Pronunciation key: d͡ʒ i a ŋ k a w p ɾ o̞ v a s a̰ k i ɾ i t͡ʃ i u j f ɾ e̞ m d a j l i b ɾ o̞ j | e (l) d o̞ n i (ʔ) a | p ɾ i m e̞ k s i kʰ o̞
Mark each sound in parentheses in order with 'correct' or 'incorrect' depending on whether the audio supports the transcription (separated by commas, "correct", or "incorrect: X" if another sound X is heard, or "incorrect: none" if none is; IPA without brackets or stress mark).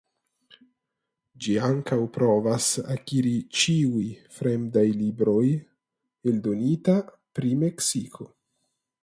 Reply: correct, incorrect: t